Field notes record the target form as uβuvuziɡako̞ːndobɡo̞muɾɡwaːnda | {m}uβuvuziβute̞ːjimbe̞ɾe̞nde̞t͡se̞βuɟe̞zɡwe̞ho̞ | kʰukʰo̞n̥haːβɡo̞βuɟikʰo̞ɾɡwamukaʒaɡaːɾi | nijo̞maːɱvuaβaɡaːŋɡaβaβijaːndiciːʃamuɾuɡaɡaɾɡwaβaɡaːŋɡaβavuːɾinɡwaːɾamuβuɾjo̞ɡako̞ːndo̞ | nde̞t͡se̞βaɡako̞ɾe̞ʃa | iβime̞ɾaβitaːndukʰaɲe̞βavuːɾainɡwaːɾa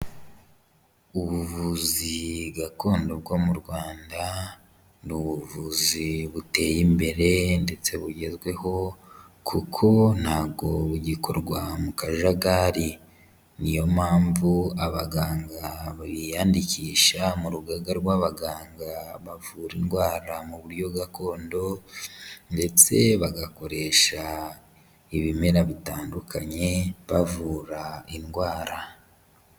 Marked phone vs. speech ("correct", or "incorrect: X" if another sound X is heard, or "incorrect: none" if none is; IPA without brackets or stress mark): incorrect: n